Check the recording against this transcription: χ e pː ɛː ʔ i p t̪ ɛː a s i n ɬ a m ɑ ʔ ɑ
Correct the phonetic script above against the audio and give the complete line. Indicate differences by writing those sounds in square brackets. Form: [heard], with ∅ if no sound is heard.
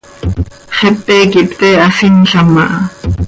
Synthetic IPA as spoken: χ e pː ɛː [k] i p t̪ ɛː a s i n ɬ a m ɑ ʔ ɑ